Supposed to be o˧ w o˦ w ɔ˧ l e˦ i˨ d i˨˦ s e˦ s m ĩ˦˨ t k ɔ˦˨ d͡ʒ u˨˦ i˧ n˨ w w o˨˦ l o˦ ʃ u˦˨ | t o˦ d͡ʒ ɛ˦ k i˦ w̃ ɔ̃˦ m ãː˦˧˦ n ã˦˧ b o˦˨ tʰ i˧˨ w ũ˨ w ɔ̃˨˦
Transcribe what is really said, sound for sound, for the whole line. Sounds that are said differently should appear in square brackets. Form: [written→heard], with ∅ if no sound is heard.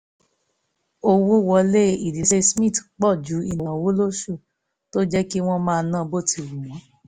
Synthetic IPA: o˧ w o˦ w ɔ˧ l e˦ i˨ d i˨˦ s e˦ s m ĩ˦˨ t [k→k͡p] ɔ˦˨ d͡ʒ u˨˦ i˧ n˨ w w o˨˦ l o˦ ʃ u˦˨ | t o˦ d͡ʒ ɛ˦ k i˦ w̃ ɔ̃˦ m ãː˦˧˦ n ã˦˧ b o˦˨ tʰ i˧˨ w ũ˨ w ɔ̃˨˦